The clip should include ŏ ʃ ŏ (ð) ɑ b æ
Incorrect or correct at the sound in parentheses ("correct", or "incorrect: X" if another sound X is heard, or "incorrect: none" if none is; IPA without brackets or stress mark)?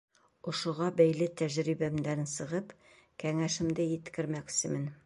incorrect: ʁ